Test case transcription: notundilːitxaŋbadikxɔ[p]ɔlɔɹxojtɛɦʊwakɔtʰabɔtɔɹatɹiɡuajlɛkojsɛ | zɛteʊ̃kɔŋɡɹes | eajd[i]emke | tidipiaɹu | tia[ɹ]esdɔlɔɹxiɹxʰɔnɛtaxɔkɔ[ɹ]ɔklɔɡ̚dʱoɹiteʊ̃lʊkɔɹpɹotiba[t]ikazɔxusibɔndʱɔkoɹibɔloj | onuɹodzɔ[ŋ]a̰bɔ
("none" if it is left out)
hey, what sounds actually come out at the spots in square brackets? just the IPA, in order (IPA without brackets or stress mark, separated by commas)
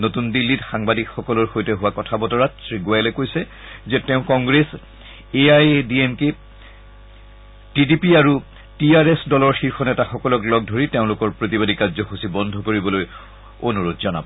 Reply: k, i, ɹ, l, d, n